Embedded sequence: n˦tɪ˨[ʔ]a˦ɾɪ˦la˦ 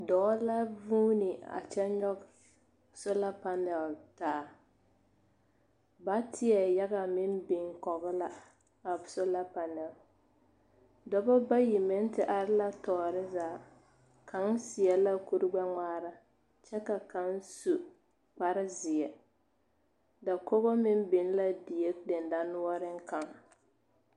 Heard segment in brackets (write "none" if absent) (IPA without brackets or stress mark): ʔ